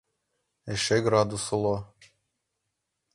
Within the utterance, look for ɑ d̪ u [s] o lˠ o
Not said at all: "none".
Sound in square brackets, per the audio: s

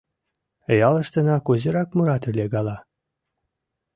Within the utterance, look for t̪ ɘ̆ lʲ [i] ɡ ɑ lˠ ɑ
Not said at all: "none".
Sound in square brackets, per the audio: e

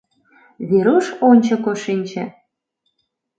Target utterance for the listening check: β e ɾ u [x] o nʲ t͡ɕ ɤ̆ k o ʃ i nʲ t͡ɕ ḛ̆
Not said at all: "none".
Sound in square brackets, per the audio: ʃ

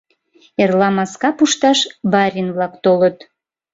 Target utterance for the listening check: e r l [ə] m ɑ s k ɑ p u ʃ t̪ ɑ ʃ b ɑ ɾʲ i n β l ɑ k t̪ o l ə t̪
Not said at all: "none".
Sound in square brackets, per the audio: ɑ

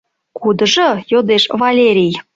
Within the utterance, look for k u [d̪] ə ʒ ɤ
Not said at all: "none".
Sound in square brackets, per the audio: d̪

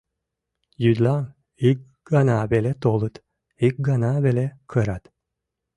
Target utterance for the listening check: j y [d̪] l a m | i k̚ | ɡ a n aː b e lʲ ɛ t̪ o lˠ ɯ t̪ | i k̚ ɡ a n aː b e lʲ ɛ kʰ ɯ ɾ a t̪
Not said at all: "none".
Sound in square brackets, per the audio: d̪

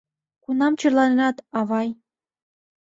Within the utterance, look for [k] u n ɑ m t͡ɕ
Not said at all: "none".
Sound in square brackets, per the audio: k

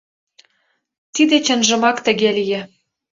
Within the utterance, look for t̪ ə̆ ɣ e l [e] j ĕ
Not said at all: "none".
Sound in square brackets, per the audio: i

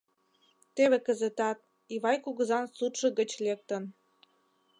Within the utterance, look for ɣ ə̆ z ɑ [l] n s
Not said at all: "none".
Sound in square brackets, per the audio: none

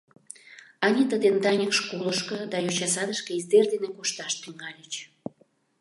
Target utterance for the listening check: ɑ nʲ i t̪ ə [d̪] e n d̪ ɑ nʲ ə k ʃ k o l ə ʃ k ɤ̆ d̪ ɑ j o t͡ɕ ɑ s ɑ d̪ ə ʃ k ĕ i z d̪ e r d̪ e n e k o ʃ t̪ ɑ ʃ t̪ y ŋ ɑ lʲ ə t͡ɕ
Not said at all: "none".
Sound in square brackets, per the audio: d̪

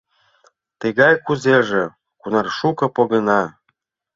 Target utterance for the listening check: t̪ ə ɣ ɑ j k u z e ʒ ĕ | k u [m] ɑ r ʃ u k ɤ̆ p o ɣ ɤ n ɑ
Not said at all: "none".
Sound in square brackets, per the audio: n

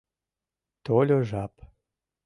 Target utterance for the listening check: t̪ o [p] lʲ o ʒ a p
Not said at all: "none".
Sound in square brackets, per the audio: none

